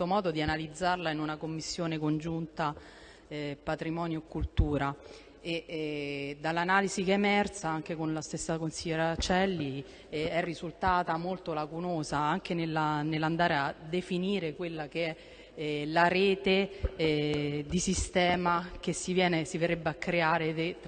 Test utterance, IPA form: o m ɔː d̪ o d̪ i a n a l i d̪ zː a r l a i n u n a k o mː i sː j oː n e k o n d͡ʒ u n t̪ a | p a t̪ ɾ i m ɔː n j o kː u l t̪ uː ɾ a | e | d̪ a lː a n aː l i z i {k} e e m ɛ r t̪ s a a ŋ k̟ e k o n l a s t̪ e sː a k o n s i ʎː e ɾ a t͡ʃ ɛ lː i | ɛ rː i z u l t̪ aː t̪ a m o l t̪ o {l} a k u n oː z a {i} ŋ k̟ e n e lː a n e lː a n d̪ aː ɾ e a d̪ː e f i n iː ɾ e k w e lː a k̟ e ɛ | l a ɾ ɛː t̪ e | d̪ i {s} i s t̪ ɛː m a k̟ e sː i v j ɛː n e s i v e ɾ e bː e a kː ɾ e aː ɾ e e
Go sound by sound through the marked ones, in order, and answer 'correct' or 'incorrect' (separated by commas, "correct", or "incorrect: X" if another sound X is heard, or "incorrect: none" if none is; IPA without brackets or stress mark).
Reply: correct, correct, incorrect: a, correct